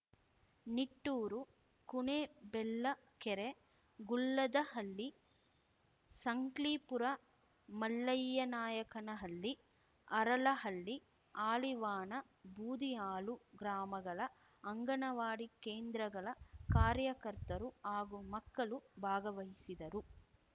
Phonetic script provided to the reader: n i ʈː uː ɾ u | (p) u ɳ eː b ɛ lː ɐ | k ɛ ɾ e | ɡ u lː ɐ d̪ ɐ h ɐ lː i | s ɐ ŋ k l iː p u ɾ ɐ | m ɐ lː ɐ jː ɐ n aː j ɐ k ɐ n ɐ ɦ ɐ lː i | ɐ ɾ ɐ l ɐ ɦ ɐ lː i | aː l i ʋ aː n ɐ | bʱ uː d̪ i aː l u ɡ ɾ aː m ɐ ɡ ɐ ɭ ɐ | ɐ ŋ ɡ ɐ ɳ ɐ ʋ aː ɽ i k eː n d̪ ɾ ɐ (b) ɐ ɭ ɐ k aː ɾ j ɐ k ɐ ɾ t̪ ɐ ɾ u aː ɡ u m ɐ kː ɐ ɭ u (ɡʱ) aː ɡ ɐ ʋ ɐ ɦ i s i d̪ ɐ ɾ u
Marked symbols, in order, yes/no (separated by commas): no, no, no